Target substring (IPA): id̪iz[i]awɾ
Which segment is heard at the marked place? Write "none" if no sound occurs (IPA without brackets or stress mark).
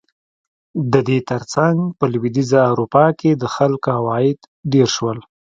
a